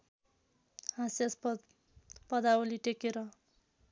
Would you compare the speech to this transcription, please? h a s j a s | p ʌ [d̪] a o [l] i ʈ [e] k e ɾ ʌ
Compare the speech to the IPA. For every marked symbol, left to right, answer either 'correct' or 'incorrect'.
correct, correct, correct

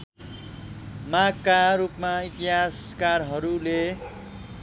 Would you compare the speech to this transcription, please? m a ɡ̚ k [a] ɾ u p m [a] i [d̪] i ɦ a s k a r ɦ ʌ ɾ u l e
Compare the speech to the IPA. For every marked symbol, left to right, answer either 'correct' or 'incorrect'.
correct, correct, incorrect

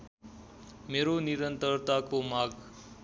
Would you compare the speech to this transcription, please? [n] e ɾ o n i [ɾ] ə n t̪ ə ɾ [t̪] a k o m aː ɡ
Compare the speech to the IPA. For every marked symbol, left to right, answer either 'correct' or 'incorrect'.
incorrect, correct, correct

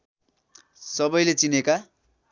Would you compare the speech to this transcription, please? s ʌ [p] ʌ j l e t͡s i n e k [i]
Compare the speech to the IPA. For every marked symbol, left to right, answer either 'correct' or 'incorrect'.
incorrect, incorrect

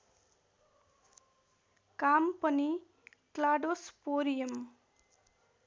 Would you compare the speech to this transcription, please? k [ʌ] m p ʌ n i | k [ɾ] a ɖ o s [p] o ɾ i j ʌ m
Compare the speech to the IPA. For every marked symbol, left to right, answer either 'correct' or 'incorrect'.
incorrect, incorrect, correct

